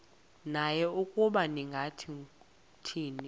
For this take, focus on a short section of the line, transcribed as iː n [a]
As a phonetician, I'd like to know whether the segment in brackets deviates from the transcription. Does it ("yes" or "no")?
yes